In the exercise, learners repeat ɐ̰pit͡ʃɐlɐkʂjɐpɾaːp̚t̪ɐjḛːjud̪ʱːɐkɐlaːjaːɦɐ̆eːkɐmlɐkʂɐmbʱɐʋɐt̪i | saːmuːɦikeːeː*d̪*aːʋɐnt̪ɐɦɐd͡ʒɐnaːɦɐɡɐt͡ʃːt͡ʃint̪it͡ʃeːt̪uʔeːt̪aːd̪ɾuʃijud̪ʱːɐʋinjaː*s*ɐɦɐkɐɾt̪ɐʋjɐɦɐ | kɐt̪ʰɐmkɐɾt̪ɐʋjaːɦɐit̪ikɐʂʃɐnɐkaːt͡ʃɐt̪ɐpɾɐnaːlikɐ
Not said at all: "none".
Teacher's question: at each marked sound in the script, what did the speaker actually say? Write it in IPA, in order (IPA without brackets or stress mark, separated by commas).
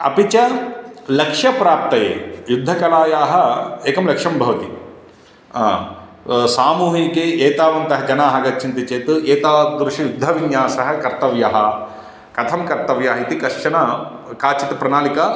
t̪, s